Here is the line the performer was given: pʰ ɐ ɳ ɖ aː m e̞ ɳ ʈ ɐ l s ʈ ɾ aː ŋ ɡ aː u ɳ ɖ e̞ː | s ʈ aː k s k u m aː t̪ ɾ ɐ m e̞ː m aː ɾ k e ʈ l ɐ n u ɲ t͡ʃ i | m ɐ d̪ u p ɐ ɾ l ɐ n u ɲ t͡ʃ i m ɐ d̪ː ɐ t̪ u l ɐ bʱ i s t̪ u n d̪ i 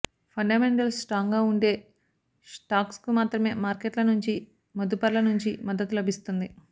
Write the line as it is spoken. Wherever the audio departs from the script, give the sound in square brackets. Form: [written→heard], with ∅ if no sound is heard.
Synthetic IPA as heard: pʰ ɐ ɳ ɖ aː m e̞ ɳ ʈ ɐ l s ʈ ɾ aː ŋ ɡ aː u ɳ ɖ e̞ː | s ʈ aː k s k u m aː t̪ ɾ ɐ m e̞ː m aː ɾ k e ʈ l ɐ n u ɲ t͡ʃ i | m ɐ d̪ u p ɐ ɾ l ɐ n u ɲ t͡ʃ i m ɐ d̪ː ɐ t̪ u l ɐ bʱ i s t̪ u n d̪ i